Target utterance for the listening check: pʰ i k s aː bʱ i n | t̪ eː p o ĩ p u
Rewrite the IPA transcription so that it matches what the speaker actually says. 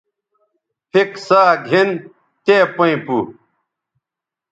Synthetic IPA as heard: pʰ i k s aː ɡʱ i n | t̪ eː p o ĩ p u